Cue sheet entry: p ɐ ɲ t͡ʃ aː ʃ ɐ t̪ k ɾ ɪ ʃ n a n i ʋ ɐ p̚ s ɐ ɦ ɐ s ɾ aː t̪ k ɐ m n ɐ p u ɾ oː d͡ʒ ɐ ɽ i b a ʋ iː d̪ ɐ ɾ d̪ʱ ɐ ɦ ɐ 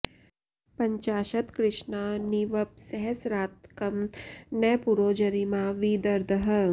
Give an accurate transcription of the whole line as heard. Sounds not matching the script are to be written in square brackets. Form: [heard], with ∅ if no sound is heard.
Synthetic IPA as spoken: p ɐ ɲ t͡ʃ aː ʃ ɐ t̪ k ɾ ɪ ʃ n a n i ʋ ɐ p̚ s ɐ ɦ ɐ s ɾ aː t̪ k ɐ m n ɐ p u ɾ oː d͡ʒ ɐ [ɾ] i [m] a ʋ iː d̪ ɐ ɾ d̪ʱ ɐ ɦ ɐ